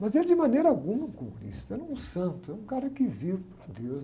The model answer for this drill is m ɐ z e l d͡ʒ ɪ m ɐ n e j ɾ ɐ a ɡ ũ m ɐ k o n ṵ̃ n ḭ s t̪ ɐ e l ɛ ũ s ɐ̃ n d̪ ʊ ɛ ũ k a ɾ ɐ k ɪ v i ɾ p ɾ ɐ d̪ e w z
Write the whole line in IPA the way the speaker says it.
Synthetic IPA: m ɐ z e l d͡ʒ ɪ m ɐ n e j ɾ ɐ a ɡ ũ m ɐ k o m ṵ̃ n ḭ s t̪ ɐ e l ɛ ũ s ɐ̃ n t̪ ʊ ɛ ũ k a ɾ ɐ k ɪ v i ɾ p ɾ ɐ d̪ e w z